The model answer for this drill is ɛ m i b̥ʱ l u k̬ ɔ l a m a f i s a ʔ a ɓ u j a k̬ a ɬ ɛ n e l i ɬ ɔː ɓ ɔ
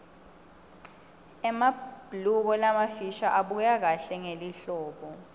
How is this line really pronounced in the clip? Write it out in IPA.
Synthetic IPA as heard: ɛ m a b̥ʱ l u k̬ ɔ l a m a f i ʃ a ʔ a ɓ u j a k̬ a ɬ ɛ ŋ e l i ɬ ɔː ɓ ɔ